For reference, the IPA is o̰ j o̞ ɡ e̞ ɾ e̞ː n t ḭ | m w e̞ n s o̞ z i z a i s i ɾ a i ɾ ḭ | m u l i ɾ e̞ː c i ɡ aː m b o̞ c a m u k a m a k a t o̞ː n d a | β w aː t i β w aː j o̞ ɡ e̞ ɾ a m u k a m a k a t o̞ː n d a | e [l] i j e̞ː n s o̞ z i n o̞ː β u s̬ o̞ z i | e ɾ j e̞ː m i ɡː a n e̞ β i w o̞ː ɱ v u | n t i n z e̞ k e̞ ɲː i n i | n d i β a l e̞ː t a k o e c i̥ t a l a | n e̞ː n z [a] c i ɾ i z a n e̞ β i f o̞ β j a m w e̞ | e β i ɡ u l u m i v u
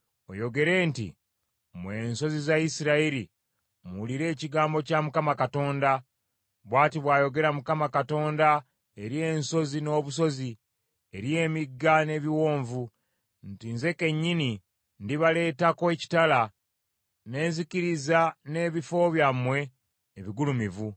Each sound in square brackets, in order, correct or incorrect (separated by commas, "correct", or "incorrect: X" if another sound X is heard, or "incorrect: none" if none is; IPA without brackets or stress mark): incorrect: ɾ, incorrect: i